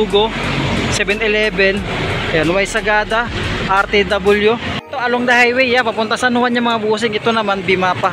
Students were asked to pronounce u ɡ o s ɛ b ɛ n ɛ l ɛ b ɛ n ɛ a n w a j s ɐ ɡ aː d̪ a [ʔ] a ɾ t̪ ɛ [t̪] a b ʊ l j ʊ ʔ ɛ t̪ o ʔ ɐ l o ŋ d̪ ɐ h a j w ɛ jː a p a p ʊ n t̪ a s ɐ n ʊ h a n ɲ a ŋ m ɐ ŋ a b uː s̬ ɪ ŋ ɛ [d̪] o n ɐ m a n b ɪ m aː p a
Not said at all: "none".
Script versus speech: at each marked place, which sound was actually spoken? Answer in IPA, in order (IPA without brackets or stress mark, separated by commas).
ʔ, d̪, t̪